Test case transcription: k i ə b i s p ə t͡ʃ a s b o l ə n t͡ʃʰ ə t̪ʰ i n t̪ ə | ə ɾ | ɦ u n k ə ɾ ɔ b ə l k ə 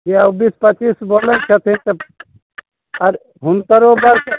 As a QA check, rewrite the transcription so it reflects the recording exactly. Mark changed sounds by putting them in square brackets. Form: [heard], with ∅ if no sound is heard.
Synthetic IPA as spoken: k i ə b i s p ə t͡ʃ [i] s b o l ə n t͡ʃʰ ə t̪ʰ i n t̪ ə | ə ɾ | ɦ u n k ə ɾ [o] b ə [ɾ] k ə